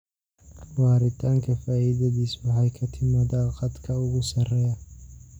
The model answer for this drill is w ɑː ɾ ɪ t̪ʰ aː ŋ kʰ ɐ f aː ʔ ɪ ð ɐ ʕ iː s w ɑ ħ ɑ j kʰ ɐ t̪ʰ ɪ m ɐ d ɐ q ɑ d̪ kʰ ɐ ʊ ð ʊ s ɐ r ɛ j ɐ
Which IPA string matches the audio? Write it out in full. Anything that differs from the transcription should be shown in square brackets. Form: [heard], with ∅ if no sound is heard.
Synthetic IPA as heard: w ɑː ɾ ɪ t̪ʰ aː ŋ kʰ ɐ f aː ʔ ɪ ð ɐ [ð] iː s w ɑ ħ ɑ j kʰ ɐ t̪ʰ ɪ m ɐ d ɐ q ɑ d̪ kʰ ɐ ʊ [ɣ] ʊ s ɐ r ɛ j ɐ